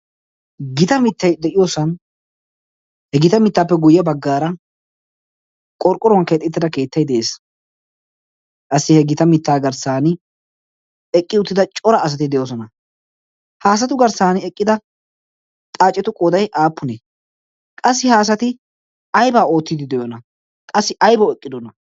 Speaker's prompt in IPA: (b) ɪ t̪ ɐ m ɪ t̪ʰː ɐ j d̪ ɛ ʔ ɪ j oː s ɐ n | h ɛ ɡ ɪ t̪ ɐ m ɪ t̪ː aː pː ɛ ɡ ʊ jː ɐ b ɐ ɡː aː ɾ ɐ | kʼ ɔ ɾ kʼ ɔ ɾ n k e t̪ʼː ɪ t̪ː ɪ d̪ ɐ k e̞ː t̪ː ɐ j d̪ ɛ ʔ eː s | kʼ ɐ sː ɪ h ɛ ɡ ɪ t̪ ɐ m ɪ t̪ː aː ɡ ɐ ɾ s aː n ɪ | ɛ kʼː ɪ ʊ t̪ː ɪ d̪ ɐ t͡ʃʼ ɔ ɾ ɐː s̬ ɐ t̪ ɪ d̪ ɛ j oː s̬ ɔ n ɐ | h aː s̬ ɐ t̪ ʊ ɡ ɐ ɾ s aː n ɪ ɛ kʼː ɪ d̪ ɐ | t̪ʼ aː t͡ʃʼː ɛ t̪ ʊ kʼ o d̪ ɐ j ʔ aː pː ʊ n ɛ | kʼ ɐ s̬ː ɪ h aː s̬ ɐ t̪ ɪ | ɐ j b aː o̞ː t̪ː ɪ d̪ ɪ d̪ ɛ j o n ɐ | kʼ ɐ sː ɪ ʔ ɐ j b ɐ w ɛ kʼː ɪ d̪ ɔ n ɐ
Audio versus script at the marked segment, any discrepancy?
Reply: yes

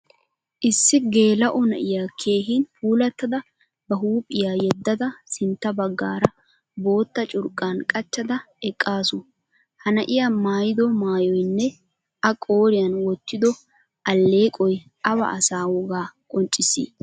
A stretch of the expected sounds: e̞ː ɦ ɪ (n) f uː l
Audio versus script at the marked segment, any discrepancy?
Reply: no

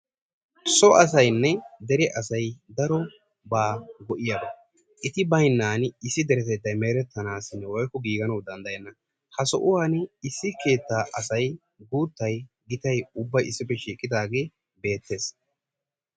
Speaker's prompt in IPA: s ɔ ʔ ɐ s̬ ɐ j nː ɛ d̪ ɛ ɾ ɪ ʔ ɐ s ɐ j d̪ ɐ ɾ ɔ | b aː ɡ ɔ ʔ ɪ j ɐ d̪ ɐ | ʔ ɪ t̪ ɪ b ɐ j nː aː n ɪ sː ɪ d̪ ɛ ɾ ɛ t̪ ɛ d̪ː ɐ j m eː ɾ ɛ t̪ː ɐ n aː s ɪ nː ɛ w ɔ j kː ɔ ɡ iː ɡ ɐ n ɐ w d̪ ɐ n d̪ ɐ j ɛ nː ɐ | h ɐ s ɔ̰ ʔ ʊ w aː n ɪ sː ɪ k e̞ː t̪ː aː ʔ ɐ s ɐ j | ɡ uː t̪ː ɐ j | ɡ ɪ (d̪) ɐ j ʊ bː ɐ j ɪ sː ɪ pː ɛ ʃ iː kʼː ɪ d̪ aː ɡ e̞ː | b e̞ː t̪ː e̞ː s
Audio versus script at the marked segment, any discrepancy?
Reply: yes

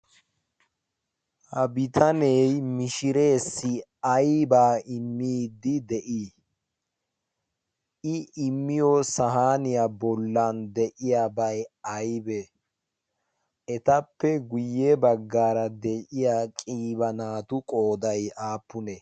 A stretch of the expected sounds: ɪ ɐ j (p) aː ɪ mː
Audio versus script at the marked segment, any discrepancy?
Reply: yes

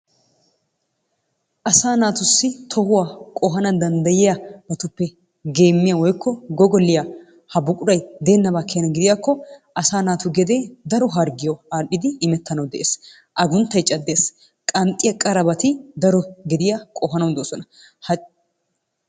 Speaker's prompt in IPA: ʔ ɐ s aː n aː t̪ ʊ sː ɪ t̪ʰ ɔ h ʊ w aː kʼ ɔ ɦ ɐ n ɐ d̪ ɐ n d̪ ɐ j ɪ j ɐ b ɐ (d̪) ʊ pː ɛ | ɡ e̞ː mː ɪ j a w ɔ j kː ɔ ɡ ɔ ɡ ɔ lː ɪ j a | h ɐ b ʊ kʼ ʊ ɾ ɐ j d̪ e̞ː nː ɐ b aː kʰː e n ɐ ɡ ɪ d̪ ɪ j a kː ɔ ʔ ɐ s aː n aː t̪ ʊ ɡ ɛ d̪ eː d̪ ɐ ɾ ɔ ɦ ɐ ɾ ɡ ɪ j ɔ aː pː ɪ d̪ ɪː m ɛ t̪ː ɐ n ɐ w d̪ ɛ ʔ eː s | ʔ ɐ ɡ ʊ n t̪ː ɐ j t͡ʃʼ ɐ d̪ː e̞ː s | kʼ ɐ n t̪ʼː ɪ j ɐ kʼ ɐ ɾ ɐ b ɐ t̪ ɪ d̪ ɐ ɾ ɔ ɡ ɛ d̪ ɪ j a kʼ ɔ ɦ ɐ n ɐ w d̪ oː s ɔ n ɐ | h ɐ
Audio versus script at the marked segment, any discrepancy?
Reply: yes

